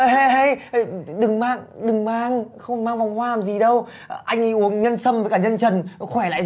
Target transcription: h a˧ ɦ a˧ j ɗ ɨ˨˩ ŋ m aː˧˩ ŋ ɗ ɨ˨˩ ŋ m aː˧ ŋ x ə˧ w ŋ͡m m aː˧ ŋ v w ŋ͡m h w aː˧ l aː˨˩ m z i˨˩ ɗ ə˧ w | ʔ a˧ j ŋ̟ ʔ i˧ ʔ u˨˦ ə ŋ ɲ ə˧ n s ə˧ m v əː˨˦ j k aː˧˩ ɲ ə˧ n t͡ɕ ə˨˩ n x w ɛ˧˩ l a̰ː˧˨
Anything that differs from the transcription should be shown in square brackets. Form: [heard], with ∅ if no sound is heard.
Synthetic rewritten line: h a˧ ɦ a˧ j ɗ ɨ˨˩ ŋ m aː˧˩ ŋ ɗ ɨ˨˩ ŋ m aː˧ ŋ x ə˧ w ŋ͡m m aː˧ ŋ v w ŋ͡m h w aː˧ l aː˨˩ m z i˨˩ ɗ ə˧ w | ʔ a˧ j ŋ̟ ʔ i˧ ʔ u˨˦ ə ŋ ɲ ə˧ n s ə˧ m v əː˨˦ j k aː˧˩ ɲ ə˧ n t͡ɕ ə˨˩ n x w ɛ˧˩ l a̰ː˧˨